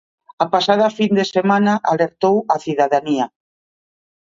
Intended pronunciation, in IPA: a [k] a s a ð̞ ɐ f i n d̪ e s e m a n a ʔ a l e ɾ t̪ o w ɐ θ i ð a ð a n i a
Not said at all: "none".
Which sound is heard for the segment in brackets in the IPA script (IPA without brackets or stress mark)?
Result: p